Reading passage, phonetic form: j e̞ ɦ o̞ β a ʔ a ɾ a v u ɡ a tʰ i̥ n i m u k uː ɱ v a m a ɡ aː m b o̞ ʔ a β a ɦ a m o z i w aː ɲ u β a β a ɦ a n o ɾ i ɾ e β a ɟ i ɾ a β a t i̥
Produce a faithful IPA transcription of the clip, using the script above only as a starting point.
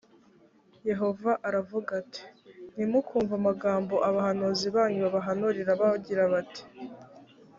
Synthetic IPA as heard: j e̞ ɦ o̞ v a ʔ a ɾ a v u ɡ a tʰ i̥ n i m u k uː ɱ v a m a ɡ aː m b o̞ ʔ a β a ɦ a n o z i β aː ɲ u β a β a ɦ a n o ɾ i ɾ a β a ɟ i ɾ a β a t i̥